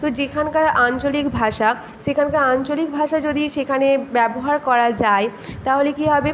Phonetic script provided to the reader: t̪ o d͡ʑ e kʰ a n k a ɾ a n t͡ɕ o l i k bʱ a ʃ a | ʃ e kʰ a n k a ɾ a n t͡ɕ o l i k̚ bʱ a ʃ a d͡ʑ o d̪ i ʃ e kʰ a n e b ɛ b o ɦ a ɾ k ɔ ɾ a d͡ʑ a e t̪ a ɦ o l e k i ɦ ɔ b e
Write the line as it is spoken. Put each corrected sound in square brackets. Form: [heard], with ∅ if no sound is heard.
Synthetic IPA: t̪ o d͡ʑ e kʰ a n k a ɾ a n t͡ɕ o l i k bʱ a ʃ a | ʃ e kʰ a n k a ɾ a n t͡ɕ o l i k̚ bʱ a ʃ a d͡ʑ o d̪ i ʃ e kʰ a n e b ɛ b o ɦ a ɾ k ɔ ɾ a d͡ʑ a e t̪ a ɦ o l e k i ɦ ɔ b e